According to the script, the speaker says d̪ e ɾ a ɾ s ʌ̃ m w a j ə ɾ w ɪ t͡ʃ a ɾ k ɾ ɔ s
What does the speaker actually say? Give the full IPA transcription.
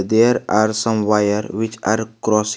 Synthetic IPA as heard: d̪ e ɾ a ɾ s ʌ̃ m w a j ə ɾ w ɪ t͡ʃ a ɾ k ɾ ɔ s